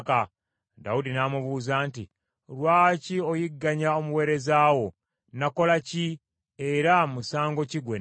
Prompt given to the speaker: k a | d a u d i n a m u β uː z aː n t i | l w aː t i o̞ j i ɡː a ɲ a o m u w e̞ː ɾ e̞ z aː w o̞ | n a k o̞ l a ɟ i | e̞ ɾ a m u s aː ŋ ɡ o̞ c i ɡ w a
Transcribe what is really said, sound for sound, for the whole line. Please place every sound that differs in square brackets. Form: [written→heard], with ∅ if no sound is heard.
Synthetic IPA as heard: k a | d a u d i n a m u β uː z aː n t i | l w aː [t→c] i o̞ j i ɡː a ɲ a o m u w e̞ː ɾ e̞ z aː w o̞ | n a k o̞ l a [ɟ→c] i | e̞ ɾ a m u s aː ŋ ɡ o̞ c i ɡ w [a→e]